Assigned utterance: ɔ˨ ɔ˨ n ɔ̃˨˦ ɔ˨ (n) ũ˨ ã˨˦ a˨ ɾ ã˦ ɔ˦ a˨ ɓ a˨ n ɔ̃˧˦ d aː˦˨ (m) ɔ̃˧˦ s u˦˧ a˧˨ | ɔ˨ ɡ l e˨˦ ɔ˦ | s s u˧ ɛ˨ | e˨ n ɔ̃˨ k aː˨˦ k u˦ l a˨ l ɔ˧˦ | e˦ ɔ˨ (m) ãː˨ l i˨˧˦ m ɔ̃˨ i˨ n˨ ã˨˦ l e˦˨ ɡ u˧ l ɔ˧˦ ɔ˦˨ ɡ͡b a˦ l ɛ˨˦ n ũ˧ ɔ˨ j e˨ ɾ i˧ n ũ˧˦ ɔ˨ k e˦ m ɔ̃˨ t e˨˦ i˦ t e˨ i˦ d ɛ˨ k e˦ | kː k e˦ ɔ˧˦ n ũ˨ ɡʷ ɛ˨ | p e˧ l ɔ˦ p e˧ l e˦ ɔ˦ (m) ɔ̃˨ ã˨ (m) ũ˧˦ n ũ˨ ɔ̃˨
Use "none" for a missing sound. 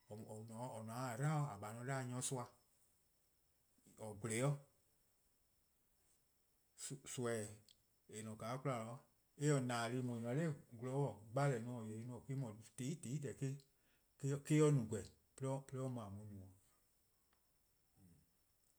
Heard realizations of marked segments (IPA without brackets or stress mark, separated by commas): n, ɲ, n, m, m